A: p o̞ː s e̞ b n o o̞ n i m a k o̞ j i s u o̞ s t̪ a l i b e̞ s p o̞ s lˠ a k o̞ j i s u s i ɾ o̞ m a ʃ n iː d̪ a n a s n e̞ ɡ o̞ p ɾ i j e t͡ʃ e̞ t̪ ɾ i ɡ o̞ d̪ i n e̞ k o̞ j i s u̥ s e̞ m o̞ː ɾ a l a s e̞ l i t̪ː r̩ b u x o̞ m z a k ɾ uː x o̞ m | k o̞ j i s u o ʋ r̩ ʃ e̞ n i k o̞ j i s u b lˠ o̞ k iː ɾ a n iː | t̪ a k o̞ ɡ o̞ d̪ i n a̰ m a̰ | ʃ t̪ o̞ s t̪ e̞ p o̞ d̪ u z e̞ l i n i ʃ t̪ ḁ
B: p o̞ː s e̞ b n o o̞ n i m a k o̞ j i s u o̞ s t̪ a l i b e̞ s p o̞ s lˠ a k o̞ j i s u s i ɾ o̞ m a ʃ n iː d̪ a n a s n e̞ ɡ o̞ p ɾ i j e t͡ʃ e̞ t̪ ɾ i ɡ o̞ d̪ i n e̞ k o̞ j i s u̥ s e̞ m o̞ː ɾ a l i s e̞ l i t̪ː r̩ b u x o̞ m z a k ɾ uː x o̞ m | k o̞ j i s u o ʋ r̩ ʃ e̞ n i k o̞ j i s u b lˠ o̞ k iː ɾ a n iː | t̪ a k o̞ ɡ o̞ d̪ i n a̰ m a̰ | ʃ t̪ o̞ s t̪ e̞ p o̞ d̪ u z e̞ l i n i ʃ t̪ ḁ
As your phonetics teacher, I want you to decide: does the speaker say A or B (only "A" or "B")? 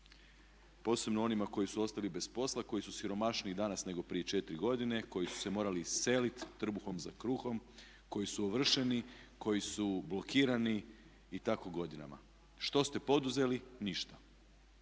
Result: B